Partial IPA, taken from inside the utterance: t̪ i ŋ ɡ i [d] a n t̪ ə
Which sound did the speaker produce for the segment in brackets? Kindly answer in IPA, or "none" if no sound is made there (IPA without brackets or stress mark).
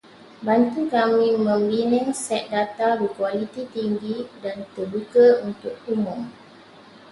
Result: d